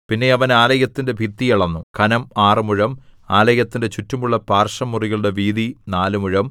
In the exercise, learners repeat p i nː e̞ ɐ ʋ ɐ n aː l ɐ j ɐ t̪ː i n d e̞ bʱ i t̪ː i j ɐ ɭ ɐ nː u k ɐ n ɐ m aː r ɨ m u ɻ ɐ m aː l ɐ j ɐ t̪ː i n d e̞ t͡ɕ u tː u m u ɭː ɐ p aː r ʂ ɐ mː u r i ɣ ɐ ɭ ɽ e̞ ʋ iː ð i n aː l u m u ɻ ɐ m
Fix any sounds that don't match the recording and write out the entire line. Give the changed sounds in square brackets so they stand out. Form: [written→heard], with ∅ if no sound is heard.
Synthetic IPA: p i nː e̞ ɐ ʋ ɐ n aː l ɐ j ɐ t̪ː i n d e̞ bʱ i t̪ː i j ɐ ɭ ɐ nː u k ɐ n ɐ m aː r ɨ m u ɻ ɐ m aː l ɐ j ɐ t̪ː i n d e̞ t͡ɕ u tː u m u ɭː ɐ p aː r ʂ ɐ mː u r i ɣ ɐ ɭ ɽ e̞ ʋ iː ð i n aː l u m u ɻ ɐ m